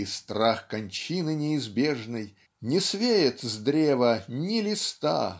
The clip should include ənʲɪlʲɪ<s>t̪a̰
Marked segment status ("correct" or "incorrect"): correct